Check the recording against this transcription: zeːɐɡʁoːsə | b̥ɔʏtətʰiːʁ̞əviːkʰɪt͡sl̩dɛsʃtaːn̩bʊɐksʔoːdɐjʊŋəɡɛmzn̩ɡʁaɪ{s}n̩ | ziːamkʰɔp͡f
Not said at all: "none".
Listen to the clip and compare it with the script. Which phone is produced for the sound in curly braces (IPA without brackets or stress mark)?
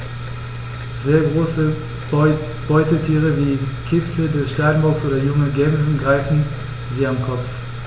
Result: f